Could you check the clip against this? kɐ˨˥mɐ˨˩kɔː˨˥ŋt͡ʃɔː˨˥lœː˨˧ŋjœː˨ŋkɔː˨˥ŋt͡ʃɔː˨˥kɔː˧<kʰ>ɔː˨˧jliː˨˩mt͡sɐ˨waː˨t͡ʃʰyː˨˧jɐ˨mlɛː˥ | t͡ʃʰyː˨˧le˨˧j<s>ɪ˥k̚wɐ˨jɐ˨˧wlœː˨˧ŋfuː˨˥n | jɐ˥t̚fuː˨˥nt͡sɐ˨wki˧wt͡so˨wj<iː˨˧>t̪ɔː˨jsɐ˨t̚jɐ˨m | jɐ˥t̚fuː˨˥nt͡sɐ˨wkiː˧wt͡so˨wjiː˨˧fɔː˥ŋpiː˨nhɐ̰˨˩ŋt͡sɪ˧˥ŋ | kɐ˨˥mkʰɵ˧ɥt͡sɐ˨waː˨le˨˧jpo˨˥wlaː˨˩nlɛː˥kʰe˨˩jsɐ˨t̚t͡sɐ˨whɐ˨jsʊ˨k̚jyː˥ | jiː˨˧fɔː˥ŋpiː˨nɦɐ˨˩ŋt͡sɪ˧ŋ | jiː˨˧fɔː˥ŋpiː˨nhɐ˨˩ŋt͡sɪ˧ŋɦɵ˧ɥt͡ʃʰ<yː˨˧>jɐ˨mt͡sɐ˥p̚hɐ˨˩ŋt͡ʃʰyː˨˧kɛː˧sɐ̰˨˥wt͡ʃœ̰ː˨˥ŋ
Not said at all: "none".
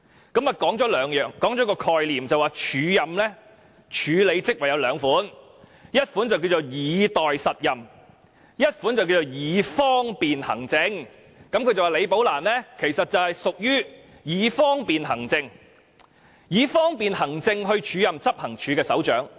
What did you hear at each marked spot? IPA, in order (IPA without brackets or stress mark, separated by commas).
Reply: kʰ, t͡s, iː˨˧, yː˨˧